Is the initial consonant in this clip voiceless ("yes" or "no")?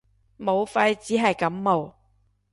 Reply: no